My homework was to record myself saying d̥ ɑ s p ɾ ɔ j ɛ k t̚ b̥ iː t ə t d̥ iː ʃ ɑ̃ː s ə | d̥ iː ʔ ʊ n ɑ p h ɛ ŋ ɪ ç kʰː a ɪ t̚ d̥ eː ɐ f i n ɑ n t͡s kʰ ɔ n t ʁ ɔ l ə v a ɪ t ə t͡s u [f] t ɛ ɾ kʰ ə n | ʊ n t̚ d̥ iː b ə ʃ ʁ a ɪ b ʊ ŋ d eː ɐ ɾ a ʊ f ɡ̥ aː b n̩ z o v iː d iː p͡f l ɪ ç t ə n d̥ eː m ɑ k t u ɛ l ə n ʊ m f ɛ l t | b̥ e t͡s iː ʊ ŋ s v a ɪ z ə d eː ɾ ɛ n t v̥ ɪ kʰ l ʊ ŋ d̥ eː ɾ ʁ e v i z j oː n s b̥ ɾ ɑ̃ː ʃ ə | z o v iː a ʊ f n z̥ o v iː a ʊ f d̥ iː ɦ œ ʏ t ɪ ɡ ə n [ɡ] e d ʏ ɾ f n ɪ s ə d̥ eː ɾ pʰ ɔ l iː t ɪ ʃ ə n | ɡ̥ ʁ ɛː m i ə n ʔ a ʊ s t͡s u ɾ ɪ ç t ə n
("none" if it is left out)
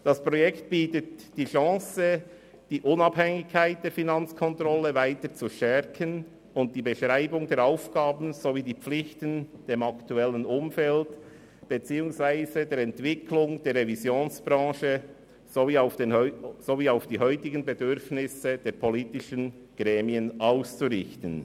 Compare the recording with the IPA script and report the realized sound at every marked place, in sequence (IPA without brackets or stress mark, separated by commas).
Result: ʃ, b